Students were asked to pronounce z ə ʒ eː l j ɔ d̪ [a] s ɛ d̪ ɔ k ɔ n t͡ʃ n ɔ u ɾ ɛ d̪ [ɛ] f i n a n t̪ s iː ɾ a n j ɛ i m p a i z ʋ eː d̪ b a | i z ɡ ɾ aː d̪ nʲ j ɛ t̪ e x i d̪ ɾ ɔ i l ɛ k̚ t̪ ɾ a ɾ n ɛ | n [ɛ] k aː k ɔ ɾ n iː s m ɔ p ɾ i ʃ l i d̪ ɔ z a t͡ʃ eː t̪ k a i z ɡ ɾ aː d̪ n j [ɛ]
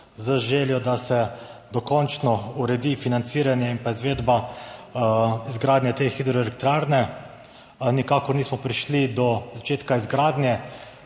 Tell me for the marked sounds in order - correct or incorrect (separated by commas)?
correct, incorrect, incorrect, correct